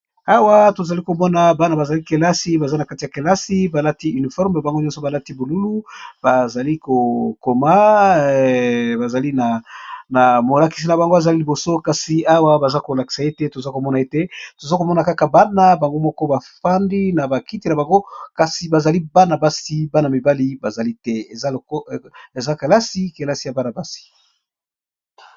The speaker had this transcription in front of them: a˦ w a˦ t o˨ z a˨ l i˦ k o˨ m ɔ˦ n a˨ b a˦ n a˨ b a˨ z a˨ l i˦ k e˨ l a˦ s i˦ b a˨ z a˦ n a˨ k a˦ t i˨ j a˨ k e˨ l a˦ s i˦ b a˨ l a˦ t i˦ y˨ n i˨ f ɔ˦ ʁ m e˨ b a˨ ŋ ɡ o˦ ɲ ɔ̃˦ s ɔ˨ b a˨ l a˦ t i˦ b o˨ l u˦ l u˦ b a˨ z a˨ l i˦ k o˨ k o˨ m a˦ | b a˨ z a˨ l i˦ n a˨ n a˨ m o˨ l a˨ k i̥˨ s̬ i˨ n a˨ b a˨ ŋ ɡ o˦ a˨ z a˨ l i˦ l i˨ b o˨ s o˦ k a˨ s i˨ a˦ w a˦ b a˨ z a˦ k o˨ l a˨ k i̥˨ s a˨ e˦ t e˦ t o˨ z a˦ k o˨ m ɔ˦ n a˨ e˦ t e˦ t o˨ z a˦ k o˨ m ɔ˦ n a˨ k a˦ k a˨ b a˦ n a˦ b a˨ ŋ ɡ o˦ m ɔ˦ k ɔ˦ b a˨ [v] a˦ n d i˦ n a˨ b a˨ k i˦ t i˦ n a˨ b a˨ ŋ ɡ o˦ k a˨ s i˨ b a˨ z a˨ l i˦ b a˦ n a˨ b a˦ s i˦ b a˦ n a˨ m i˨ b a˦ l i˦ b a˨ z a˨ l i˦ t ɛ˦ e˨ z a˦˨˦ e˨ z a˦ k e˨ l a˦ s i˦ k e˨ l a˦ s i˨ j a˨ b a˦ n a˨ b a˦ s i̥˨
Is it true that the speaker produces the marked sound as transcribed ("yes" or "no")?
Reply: no